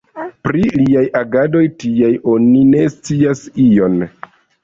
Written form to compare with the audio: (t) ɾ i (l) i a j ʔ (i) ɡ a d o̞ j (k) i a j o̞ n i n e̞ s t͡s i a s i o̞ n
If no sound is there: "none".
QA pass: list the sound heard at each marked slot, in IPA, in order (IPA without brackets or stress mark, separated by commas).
p, l, a, t